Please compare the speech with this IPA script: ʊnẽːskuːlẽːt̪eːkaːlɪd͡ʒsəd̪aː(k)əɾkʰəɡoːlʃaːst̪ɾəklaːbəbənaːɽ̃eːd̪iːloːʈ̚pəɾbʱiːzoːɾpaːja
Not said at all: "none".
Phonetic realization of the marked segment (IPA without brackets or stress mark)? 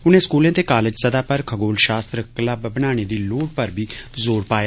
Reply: p